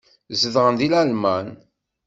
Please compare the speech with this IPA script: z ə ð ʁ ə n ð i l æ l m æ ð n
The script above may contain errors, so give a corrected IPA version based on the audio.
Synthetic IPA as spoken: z ə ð ʁ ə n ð i l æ l m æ n